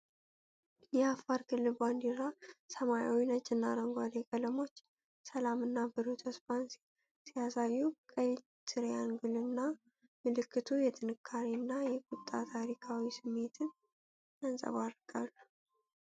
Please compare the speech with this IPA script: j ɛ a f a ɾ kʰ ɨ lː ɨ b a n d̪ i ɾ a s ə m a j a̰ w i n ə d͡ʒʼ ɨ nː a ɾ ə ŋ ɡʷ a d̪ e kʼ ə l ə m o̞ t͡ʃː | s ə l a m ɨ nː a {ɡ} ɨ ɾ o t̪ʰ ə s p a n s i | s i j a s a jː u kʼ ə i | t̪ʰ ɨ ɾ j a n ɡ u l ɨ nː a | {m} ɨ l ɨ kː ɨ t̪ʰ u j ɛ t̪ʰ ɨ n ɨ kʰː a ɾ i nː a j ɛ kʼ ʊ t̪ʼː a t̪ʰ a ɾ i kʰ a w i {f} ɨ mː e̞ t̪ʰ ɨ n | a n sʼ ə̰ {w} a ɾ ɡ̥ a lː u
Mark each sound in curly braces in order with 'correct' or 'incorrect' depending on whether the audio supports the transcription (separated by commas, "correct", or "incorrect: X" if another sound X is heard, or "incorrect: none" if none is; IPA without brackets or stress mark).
incorrect: b, correct, incorrect: s, incorrect: β